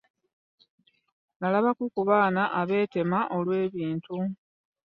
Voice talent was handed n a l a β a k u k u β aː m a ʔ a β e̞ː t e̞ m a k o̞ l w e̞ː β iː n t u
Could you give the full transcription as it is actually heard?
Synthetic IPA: n a l a β a k u k u β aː n a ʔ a β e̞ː t e̞ m a ʔ o̞ l w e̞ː β iː n t u